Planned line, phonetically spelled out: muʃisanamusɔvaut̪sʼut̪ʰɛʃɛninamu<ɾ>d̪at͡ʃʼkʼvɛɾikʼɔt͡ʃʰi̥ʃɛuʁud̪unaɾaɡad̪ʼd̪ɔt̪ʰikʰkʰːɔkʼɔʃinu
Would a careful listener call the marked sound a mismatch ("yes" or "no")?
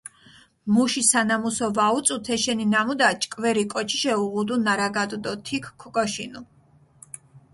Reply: yes